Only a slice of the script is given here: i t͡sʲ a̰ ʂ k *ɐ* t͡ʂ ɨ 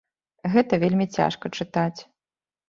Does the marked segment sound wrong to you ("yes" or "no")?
no